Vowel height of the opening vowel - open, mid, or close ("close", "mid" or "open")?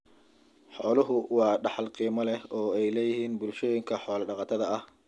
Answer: mid